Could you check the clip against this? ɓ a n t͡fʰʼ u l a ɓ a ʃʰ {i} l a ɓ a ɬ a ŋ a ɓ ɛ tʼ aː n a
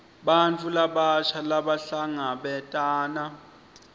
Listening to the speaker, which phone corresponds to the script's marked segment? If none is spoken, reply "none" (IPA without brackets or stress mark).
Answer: a